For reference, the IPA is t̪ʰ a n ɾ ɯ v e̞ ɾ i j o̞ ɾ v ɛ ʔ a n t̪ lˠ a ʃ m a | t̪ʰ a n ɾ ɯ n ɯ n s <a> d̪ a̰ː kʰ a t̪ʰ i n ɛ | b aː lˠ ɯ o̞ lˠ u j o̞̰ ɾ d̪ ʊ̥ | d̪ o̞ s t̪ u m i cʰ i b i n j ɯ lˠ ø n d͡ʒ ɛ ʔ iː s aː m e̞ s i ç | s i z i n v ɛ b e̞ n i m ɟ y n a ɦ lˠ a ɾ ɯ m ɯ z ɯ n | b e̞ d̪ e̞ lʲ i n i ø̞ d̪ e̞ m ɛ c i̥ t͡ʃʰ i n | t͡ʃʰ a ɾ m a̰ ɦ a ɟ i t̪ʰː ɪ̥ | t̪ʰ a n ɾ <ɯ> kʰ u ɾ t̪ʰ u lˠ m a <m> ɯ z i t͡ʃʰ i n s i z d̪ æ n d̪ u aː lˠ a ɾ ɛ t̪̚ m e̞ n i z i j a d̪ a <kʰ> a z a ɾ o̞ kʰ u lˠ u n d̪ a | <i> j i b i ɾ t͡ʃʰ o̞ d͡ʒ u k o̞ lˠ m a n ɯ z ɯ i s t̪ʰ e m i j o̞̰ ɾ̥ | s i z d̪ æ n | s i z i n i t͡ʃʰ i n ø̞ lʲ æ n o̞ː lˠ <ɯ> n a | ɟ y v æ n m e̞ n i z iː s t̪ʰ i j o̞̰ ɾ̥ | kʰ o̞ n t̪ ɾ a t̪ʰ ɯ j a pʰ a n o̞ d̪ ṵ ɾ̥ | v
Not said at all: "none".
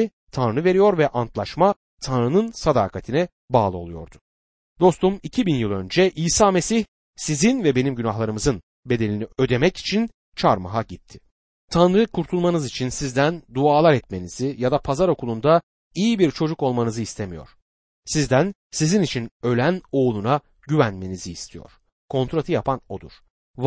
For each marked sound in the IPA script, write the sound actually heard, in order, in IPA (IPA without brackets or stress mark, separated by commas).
a, ɯ, n, pʰ, i, u